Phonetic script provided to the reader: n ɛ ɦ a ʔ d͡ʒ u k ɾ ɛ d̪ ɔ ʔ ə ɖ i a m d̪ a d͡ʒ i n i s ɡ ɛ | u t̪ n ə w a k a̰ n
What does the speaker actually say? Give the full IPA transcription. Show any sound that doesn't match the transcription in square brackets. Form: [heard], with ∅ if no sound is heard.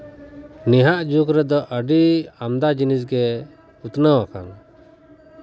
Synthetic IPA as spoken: n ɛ ɦ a ʔ d͡ʒ u k ɾ ɛ d̪ ɔ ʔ ə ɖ i a m d̪ a d͡ʒ i n i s ɡ ɛ | u t̪ n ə w a k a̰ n

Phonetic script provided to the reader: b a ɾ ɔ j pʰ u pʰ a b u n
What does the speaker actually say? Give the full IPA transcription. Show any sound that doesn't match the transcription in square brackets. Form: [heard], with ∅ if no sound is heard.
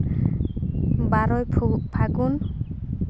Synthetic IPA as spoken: b a ɾ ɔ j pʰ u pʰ a [ɡ] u n

